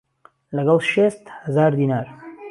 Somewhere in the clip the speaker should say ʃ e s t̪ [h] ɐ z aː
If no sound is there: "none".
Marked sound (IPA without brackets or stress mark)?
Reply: h